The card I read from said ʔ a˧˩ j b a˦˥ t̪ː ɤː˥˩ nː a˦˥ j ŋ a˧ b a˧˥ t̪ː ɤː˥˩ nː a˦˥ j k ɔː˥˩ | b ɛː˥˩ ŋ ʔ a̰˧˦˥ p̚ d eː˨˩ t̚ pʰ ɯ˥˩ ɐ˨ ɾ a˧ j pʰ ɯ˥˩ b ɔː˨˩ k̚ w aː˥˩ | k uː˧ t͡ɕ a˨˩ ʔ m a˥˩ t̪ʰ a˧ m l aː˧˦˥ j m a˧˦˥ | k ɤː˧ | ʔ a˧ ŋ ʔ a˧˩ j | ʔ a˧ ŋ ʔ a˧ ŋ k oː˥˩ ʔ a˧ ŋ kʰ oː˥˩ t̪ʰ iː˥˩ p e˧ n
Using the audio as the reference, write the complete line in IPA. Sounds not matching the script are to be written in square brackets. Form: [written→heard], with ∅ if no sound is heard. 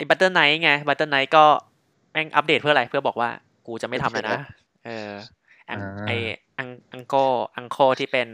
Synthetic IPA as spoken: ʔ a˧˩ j b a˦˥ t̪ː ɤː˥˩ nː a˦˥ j ŋ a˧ b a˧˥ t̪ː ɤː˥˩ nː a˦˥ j k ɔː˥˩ | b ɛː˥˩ ŋ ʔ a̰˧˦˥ p̚ d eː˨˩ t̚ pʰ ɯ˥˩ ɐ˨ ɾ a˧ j pʰ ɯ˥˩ b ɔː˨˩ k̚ w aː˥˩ | k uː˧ t͡ɕ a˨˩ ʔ m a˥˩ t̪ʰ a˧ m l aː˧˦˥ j [m→n] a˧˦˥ | [k→ʔ] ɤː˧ | ʔ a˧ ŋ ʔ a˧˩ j | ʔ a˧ ŋ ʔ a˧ ŋ k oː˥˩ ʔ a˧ ŋ kʰ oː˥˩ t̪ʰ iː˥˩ p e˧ n